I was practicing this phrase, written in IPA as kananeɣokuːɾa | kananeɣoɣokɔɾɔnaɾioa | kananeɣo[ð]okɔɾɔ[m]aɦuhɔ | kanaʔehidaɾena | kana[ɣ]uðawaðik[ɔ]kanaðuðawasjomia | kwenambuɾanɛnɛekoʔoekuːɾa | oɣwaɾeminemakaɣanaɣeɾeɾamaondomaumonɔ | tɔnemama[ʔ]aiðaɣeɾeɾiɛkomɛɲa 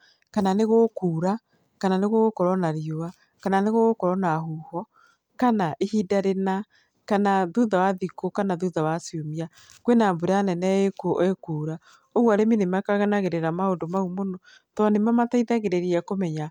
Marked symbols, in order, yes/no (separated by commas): no, no, no, no, no